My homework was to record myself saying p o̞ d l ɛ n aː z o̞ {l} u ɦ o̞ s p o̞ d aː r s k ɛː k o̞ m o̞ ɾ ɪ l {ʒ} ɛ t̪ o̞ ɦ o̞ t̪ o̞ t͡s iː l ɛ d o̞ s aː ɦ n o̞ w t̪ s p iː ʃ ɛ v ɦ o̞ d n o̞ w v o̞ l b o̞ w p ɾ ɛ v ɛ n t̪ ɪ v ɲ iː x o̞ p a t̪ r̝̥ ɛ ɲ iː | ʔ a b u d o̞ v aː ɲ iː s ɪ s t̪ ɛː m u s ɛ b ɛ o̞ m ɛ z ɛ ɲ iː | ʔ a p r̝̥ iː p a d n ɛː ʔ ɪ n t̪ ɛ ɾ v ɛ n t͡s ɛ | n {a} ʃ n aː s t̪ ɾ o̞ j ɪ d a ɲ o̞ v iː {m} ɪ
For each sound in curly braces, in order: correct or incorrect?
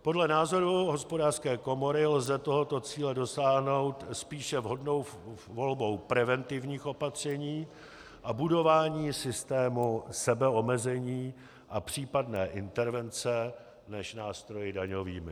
incorrect: ɾ, incorrect: z, incorrect: ɛ, correct

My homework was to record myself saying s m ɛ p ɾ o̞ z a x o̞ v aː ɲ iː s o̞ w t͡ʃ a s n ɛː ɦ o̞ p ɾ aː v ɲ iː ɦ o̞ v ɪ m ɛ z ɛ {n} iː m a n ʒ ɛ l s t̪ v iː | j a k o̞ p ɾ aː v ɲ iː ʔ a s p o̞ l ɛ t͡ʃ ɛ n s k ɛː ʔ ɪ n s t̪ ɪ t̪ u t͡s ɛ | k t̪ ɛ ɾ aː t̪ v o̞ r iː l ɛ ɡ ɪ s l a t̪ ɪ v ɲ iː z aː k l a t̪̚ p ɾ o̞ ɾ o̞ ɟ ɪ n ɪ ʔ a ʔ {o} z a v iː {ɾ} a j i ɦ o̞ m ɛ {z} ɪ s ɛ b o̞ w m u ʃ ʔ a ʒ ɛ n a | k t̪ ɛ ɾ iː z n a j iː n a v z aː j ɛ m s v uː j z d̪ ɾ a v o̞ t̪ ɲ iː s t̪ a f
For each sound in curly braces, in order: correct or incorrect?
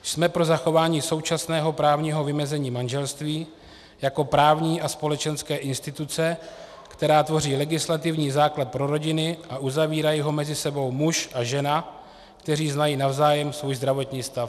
incorrect: ɲ, incorrect: u, correct, correct

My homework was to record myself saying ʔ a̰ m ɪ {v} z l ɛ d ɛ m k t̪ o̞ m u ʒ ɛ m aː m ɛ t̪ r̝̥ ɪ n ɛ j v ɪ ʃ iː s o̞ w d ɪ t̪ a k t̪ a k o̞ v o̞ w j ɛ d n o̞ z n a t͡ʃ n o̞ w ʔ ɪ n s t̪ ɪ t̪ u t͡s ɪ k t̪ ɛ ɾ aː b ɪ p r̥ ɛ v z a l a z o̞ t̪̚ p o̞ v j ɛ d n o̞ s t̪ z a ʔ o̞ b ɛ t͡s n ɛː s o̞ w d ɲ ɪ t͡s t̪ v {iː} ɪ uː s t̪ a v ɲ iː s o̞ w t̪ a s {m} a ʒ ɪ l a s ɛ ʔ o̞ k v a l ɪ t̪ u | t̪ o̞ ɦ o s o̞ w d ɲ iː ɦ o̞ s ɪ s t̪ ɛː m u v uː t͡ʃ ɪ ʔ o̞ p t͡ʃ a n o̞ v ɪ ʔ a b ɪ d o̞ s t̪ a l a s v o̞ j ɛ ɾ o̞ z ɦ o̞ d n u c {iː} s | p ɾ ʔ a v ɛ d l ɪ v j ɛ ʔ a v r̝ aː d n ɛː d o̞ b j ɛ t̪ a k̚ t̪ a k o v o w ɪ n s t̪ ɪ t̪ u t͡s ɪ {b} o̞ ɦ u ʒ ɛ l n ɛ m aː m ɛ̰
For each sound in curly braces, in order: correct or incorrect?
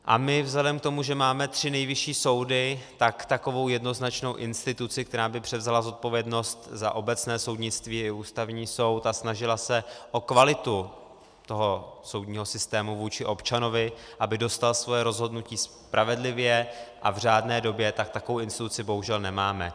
correct, correct, incorrect: n, correct, correct

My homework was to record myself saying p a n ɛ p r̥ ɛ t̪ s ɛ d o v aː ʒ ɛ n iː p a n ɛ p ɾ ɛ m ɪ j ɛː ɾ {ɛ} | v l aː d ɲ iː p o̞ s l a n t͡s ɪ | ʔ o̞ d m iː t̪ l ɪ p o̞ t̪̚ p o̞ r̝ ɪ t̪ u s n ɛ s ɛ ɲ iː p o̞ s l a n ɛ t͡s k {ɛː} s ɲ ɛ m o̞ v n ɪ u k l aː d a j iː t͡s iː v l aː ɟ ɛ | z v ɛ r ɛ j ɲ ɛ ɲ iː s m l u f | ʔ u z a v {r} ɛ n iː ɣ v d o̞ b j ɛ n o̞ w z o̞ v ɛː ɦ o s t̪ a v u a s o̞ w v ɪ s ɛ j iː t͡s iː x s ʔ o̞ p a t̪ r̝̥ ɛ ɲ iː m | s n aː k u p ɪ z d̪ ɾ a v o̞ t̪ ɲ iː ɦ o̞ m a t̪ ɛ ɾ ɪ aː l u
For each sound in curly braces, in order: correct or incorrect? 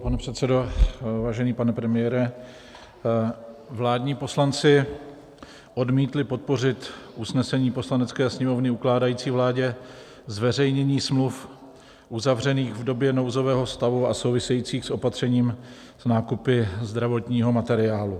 correct, correct, correct

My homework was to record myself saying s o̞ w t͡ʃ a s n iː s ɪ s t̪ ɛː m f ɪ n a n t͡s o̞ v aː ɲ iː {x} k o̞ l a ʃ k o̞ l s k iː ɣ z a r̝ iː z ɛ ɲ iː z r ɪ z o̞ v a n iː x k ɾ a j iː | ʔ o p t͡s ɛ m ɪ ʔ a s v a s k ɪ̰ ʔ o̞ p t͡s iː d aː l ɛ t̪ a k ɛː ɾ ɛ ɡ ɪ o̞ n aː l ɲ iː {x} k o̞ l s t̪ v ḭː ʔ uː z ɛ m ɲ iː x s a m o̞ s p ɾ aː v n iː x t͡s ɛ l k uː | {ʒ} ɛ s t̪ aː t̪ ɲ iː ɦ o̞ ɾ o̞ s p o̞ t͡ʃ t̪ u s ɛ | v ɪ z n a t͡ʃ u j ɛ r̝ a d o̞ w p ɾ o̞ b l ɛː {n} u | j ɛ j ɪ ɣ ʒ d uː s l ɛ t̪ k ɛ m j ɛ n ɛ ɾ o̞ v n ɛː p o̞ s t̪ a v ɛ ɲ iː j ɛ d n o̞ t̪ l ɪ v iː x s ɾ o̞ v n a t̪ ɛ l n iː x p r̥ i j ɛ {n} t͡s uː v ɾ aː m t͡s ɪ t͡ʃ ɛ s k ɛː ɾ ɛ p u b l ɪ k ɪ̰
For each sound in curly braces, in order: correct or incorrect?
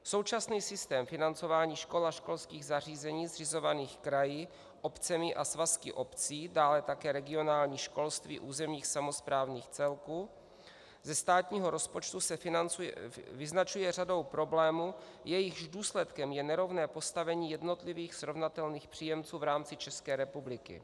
incorrect: ʃ, incorrect: ʃ, incorrect: z, incorrect: m, incorrect: m

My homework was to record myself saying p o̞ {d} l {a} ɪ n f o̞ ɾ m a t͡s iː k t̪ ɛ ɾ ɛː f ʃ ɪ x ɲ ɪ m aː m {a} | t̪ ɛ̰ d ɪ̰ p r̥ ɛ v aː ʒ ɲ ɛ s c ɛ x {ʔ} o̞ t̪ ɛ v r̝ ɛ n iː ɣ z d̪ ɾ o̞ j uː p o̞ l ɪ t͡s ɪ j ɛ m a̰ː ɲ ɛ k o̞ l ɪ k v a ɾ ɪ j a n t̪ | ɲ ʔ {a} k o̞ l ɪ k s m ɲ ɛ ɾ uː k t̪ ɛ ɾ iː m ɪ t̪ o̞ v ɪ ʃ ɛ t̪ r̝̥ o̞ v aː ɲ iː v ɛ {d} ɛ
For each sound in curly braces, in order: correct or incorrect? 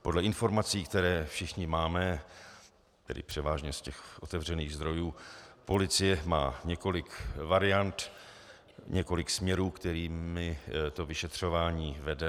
correct, incorrect: ɛ, incorrect: ɛ, correct, incorrect: ɛ, correct

